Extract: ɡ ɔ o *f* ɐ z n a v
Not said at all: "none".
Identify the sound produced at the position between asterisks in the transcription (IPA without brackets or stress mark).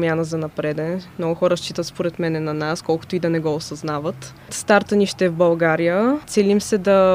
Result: s